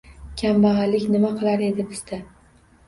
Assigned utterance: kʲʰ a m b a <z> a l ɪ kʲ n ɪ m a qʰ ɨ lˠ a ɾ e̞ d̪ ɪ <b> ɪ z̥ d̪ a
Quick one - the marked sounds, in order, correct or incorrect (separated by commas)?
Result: incorrect, correct